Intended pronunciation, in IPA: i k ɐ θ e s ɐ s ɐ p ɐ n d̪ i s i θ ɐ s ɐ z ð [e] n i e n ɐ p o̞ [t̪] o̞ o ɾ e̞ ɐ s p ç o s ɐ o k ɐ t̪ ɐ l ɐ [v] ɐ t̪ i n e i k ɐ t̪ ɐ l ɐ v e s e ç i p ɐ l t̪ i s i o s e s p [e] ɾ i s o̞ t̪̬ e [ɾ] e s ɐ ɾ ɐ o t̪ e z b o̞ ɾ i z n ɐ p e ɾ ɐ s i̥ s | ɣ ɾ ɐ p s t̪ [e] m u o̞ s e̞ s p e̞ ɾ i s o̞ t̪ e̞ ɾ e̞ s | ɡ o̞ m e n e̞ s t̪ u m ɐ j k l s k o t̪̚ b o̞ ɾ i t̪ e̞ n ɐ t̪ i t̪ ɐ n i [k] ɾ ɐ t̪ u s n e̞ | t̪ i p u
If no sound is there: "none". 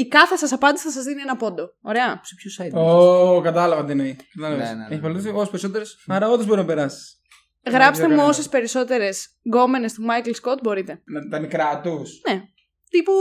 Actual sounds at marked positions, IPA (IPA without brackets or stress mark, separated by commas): i, d̪, v, e, ɾ, e, k